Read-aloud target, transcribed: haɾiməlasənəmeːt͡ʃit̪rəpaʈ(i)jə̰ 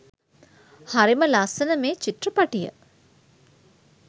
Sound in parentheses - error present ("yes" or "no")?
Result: no